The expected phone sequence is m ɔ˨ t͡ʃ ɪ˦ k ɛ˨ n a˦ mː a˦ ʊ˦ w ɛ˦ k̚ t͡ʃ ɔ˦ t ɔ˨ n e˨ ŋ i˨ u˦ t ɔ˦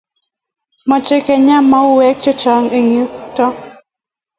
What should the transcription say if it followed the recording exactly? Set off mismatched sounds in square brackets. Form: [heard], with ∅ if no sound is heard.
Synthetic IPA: m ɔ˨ t͡ʃ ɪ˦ k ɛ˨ [ɲ] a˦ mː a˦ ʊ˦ w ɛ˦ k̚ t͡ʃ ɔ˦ [t͡ʃ] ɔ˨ [ŋ] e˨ ŋ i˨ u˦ t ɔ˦